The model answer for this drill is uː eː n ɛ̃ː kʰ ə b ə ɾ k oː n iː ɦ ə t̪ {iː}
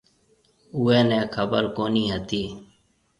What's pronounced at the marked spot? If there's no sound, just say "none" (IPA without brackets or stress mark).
iː